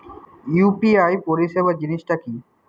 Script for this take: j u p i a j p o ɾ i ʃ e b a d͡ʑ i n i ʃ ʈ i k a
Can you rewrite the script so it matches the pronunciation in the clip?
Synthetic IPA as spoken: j u p i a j p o ɾ i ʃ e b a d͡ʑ i n i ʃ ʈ a k i